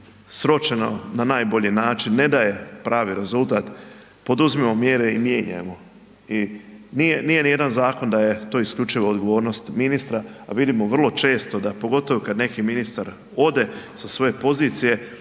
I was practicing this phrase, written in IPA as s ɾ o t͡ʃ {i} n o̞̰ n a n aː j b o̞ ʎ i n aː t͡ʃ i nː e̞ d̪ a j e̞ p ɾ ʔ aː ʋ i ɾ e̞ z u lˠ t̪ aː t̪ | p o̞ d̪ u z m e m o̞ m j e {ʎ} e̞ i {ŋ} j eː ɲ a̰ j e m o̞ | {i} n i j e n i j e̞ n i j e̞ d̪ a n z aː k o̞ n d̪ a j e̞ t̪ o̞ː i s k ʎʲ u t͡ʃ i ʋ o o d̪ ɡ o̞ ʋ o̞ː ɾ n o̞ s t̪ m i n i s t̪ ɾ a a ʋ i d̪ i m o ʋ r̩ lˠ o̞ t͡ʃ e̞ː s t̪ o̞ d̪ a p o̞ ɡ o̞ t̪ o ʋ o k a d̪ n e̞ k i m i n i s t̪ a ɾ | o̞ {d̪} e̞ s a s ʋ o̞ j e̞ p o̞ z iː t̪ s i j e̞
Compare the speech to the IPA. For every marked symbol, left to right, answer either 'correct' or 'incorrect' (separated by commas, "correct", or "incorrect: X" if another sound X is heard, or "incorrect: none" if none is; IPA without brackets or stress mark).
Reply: incorrect: e, incorrect: ɾ, incorrect: m, correct, correct